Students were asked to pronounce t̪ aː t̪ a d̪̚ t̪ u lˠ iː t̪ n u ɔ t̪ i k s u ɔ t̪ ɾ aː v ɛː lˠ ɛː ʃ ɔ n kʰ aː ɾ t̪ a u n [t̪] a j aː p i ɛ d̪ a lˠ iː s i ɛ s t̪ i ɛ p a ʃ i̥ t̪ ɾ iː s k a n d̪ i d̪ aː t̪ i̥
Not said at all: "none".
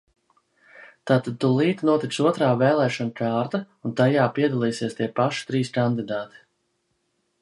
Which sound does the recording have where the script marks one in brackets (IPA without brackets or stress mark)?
t̪